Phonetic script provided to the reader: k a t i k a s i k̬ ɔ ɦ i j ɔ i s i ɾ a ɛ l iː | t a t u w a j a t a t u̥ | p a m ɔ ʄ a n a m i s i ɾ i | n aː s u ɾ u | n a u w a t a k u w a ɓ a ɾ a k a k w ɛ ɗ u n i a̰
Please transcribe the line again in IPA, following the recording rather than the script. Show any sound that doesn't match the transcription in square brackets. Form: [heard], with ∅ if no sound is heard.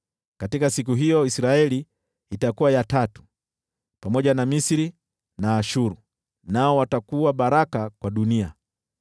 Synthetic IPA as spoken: k a t i k a s i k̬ [u] ɦ i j ɔ i s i ɾ a ɛ l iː | t a [k] u w a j a t a t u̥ | p a m ɔ ʄ a n a m i s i ɾ i | n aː [ʃ] u ɾ u | n a [ɔ] w a t a k u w a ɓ a ɾ a k a k w [a] ɗ u n i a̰

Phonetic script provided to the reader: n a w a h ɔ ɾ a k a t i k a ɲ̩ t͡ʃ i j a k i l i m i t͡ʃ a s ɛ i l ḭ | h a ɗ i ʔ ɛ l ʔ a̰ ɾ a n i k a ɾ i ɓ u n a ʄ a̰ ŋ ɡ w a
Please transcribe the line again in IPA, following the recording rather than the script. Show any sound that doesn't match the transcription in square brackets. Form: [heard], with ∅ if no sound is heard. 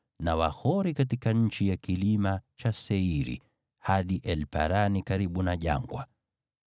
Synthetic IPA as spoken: n a w a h ɔ ɾ [i] k a t i k a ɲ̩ t͡ʃ i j a k i l i m [a] t͡ʃ a s ɛ i [ɾ] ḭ | h a ɗ i ʔ ɛ l [p] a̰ ɾ a n i k a ɾ i ɓ u n a ʄ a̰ ŋ ɡ w a

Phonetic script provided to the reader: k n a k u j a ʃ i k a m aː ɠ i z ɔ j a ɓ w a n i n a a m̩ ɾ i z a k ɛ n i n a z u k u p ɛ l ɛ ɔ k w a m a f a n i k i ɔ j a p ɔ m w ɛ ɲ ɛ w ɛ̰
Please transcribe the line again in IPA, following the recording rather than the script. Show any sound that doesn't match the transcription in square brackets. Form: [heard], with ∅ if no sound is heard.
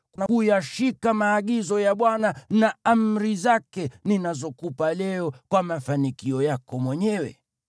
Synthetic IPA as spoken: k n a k u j a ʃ i k a m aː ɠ i z ɔ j a ɓ w a n [a] n a a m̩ ɾ i z a k ɛ n i n a z [ɔ] k u p [a] l ɛ ɔ k w a m a f a n i k i ɔ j a [k] ɔ m w ɛ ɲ ɛ w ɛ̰

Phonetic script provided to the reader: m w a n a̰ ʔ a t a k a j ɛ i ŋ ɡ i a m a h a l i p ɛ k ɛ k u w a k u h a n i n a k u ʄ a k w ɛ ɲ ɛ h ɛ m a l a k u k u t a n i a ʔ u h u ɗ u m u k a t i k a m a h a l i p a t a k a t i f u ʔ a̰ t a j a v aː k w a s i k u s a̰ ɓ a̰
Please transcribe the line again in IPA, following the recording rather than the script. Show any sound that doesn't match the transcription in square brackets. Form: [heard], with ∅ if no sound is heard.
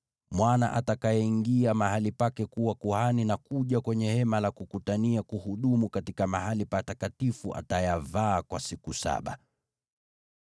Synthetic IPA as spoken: m w a n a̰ ʔ a t a k a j ɛ i ŋ ɡ i a m a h a l i p [a] k ɛ k u w a k u h a n i n a k u ʄ a k w ɛ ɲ ɛ h ɛ m a l a k u k u t a n i a [k] u h u ɗ u m u k a t i k a m a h a l i p a t a k a t i f u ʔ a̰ t a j a v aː k w a s i k u s a̰ ɓ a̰

